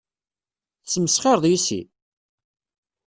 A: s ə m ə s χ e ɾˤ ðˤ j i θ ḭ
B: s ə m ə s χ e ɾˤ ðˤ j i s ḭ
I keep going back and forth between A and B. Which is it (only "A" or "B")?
B